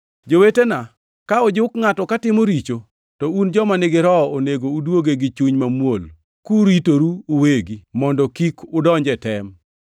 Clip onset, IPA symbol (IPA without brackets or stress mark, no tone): d͡ʒ